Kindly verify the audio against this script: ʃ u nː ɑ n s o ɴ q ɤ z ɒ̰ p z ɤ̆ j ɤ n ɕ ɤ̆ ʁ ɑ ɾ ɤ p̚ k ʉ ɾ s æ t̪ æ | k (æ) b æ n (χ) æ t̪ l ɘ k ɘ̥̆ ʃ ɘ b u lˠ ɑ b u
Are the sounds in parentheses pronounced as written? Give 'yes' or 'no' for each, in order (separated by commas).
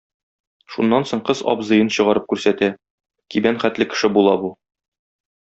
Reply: no, yes